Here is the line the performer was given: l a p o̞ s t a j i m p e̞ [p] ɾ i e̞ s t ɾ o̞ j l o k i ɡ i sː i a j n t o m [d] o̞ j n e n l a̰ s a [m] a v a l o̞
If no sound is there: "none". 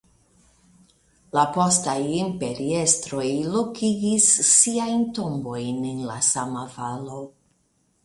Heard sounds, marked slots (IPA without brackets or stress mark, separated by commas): none, b, m